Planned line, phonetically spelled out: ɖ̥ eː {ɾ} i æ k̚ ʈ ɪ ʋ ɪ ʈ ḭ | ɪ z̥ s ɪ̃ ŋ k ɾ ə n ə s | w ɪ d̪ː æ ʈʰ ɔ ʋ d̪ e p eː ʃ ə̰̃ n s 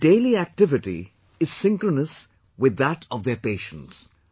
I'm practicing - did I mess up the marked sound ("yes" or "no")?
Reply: yes